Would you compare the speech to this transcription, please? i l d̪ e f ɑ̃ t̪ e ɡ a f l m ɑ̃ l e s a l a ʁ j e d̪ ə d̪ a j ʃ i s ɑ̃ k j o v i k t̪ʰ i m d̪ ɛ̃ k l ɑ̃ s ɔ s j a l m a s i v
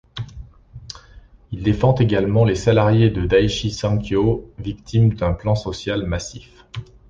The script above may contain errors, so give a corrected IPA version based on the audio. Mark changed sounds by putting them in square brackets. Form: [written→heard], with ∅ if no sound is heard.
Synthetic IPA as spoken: i l d̪ e f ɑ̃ t̪ e ɡ a [f→∅] l m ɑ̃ l e s a l a ʁ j e d̪ ə d̪ a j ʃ i s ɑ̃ k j o v i k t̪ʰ i m d̪ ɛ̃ [k→p] l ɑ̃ s ɔ s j a l m a s i [v→f]